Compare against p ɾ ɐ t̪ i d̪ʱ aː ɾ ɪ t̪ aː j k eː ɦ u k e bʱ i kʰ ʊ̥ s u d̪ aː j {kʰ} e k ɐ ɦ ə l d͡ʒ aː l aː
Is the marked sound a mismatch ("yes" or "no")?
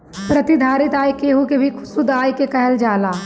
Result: yes